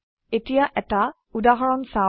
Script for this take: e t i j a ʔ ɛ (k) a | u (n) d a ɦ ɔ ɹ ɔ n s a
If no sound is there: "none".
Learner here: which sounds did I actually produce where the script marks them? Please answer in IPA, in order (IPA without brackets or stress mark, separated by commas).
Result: t, none